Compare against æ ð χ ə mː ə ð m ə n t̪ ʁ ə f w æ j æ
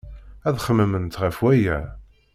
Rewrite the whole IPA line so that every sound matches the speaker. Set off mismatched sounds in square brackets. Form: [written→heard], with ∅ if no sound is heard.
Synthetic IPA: æ ð χ ə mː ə [ð→∅] m ə n t̪ ʁ ə f w æ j æ